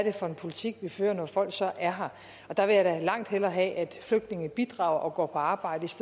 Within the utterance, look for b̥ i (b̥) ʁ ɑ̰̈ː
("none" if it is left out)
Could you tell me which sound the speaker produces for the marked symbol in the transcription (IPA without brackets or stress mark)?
d̥